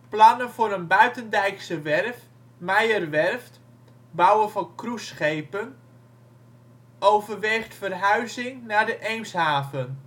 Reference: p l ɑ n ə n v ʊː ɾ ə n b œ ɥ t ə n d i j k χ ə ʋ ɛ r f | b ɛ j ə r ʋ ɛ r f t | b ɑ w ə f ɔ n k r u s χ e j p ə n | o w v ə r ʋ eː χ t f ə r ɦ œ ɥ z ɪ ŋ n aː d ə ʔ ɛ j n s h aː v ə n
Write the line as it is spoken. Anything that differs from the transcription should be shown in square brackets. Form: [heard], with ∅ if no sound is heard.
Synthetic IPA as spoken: p l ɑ n ə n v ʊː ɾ ə n b œ ɥ t ə n d [ɛ] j k [s] ə ʋ ɛ r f | [m] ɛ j ə r ʋ ɛ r f t | b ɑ w ə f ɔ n k r u s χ e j p ə n | o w v ə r ʋ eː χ t f ə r ɦ œ ɥ z ɪ ŋ n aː d ə ʔ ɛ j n s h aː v ə n